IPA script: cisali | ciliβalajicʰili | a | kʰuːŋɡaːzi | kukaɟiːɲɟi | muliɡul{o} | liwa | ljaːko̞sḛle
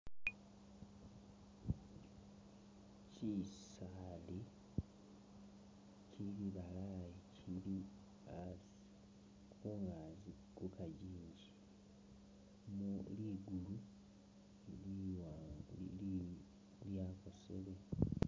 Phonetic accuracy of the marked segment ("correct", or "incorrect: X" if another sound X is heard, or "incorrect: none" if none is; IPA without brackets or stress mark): incorrect: u